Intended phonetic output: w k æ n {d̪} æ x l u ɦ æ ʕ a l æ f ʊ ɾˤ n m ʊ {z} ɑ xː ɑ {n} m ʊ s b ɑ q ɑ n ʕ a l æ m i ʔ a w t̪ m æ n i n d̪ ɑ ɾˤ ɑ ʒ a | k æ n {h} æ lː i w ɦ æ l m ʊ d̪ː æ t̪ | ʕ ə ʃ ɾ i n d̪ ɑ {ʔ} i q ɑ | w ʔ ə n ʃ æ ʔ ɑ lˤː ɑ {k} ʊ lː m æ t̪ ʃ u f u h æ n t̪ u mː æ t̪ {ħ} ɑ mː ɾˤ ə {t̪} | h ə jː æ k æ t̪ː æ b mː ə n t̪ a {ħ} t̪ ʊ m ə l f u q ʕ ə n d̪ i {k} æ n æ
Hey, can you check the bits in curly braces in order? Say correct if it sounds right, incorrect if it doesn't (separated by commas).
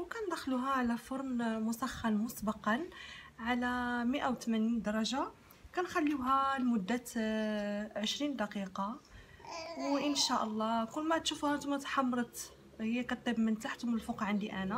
correct, incorrect, correct, incorrect, incorrect, correct, correct, correct, correct, incorrect